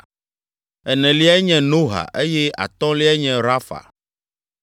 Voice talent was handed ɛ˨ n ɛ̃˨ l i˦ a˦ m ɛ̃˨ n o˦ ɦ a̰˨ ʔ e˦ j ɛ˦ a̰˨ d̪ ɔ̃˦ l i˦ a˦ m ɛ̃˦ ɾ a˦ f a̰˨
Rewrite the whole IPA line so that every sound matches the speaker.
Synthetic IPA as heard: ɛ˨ n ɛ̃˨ l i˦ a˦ ɲ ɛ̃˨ n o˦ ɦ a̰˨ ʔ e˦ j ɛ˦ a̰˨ t̪ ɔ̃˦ l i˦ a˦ ɲ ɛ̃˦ ɾ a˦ f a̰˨